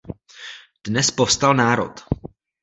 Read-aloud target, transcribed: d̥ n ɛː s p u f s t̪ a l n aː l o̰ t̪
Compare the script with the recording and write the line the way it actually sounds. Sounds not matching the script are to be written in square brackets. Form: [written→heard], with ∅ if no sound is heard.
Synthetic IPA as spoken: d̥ n [ɛː→ɛ] s p [u→o] f s t̪ a l n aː [l→ɾ] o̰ t̪